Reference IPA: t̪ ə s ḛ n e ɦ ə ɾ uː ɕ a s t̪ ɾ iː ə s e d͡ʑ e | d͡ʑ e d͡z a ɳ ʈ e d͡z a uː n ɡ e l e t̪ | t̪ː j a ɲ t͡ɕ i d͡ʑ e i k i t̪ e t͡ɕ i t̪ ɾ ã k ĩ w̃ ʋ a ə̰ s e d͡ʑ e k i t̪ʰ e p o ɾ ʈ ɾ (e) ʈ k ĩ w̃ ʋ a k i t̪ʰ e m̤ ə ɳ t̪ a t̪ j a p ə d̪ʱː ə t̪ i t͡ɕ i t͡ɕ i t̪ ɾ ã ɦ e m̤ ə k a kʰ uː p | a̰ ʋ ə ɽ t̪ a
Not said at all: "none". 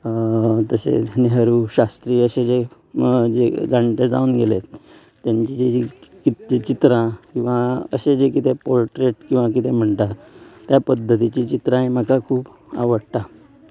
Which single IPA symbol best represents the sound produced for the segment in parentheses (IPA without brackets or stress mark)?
e